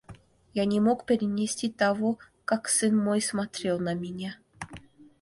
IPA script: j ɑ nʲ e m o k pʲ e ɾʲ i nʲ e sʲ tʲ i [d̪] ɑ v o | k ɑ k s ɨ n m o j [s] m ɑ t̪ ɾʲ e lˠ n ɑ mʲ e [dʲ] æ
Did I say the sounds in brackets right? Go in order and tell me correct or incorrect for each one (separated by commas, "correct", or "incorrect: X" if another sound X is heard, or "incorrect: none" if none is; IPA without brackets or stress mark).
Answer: incorrect: t̪, correct, incorrect: nʲ